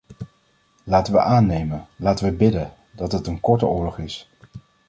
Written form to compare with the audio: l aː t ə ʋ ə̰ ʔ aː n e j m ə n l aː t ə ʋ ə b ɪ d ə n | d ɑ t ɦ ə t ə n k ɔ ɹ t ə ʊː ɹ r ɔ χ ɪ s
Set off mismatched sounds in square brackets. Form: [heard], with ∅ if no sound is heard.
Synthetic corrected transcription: l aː t ə ʋ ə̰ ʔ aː n e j m ə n l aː t ə ʋ ə b ɪ d ə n | d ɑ t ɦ ə t ə n k ɔ ɹ t ə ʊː ɹ [l] ɔ χ ɪ s